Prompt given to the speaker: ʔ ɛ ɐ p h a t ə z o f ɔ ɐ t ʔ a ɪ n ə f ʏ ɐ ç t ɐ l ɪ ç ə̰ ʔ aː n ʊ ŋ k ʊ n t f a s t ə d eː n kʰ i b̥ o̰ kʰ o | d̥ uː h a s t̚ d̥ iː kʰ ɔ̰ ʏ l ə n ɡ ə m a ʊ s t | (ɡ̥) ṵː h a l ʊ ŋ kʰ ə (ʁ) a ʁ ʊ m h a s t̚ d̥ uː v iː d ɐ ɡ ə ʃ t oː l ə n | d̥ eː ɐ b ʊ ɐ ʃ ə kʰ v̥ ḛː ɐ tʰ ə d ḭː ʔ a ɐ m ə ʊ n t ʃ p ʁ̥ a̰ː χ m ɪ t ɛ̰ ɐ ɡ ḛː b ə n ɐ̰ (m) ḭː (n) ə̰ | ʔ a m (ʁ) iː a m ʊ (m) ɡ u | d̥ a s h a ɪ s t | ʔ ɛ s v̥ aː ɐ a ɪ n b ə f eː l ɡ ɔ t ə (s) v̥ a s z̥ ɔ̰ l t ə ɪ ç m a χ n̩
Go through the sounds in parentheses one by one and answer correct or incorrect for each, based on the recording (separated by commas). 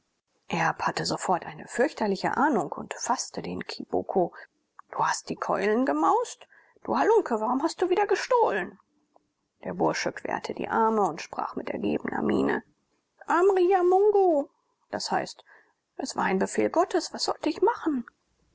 incorrect, incorrect, correct, correct, correct, incorrect, correct